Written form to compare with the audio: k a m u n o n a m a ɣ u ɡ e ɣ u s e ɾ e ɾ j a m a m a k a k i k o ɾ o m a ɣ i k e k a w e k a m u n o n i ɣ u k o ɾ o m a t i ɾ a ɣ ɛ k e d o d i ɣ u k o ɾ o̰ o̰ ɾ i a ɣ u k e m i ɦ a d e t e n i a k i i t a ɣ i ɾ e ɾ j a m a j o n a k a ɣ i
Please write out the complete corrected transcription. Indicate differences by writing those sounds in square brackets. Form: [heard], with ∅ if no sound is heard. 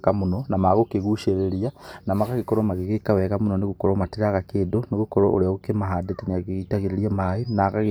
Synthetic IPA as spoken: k a m u n o n a m a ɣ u [k] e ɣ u [ʃ] e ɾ e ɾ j a [n] a m a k a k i k o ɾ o m a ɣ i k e k a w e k a m u n o n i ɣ u k o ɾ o m a t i ɾ a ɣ [a] k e d o [n] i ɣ u k o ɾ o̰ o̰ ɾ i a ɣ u k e m [a] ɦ a d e t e n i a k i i t a ɣ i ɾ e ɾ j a m a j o n a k a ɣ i